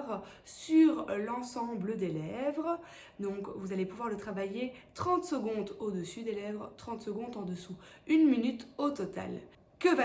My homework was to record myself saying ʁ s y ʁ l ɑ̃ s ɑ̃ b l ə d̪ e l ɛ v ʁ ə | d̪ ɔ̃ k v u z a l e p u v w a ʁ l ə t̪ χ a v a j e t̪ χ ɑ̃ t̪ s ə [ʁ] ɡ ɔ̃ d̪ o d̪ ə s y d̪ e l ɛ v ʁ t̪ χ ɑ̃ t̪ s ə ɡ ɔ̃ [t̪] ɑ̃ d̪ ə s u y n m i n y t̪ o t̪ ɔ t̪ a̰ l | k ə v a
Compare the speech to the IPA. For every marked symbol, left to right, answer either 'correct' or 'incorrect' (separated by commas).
incorrect, incorrect